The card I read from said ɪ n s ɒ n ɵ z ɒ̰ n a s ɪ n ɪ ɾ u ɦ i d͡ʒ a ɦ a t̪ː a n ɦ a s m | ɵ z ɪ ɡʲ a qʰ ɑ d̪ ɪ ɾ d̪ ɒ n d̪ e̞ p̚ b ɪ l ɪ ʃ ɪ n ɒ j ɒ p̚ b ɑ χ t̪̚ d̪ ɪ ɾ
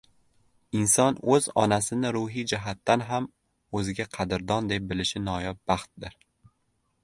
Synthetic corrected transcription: ɪ n s ɒ n ɵ z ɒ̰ n a s ɪ n ɪ ɾ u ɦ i d͡ʒ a ɦ a t̪ː a n ɦ a m | ɵ z ɪ ɡʲ a qʰ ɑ d̪ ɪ ɾ d̪ ɒ n d̪ e̞ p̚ b ɪ l ɪ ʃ ɪ n ɒ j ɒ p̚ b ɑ χ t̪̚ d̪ ɪ ɾ

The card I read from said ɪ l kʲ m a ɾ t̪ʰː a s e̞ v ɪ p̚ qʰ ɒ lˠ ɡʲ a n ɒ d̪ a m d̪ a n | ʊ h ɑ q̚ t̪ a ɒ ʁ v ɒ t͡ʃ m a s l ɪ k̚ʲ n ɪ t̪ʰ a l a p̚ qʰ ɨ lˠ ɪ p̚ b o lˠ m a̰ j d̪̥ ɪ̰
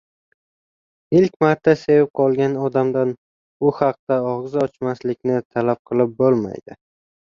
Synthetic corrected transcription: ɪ l kʲ m a ɾ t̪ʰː a s e̞ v ɪ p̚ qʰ ɒ lˠ ɡʲ a n ɒ d̪ a m d̪ a n | ʊ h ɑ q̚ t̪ a ɒ ʁ z ɒ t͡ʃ m a s l ɪ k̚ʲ n ɪ t̪ʰ a l a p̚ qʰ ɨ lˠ ɪ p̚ b o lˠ m a̰ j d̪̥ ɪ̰

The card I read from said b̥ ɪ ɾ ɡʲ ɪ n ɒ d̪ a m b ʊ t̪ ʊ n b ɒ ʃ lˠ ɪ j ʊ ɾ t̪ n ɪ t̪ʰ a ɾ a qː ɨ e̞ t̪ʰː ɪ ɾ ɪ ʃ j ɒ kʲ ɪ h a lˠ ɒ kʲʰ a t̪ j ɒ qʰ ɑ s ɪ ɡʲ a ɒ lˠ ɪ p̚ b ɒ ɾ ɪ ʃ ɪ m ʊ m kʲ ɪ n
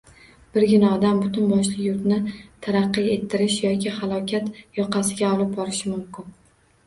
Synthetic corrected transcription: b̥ ɪ ɾ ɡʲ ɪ n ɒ d̪ a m b ʊ t̪ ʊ n b ɒ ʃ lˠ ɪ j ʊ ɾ t̪ n ɪ t̪ʰ a ɾ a qː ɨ e̞ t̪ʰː ɪ ɾ ɪ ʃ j ɒ kʲ ɪ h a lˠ ɒ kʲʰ a t̪ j ɒ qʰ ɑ s ɪ ɡʲ a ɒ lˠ ɪ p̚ b ɒ ɾ ɪ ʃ ɪ m ʊ m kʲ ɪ n

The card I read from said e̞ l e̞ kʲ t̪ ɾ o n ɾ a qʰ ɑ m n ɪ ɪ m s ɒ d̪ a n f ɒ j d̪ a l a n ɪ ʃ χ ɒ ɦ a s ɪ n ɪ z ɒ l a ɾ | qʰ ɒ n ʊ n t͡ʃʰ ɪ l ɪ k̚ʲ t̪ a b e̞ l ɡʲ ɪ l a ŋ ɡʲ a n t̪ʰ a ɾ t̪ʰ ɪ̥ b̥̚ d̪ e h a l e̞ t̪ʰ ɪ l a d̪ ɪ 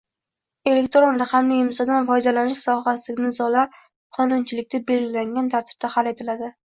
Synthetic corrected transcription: e̞ l e̞ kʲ t̪ ɾ o n ɾ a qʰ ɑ m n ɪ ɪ m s ɒ d̪ a n f ɒ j d̪ a l a n ɪ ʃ s ɒ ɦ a s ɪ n ɪ z ɒ l a ɾ | qʰ ɒ n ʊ n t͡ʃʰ ɪ l ɪ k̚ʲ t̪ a b e̞ l ɡʲ ɪ l a ŋ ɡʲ a n t̪ʰ a ɾ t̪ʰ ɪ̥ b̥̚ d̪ a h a l e̞ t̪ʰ ɪ l a d̪ ɪ

